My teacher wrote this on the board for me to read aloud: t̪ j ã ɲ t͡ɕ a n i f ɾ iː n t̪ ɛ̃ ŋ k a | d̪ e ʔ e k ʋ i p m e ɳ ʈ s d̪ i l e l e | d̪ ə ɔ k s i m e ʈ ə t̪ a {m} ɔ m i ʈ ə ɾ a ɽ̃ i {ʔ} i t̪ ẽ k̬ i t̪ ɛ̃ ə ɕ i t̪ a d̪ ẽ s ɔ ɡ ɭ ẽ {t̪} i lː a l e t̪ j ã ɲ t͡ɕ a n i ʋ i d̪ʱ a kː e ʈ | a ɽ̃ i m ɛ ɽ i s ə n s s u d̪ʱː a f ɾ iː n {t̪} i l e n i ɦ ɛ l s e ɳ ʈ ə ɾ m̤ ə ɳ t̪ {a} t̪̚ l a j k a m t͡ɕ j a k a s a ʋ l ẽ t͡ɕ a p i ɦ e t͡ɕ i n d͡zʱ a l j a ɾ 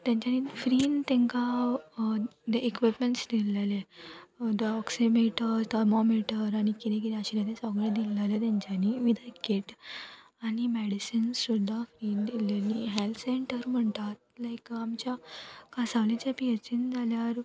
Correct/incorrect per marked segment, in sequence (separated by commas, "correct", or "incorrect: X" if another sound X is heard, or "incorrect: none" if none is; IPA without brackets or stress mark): correct, incorrect: k, incorrect: d̪, incorrect: d̪, correct